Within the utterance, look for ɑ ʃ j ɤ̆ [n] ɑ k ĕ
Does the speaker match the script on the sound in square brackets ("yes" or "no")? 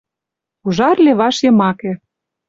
no